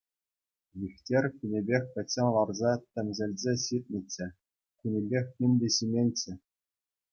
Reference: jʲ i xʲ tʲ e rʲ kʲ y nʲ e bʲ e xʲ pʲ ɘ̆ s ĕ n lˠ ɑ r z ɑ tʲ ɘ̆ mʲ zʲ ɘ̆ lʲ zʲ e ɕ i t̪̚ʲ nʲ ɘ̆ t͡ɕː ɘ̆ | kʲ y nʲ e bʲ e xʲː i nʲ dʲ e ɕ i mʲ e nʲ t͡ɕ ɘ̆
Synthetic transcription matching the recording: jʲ i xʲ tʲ e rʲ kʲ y nʲ e bʲ e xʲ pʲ ɘ̆ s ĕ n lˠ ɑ r z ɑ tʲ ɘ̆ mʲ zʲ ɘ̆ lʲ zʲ e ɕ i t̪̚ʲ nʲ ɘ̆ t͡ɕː ɘ̆ | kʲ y nʲ e bʲ e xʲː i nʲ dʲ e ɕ i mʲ e nʲ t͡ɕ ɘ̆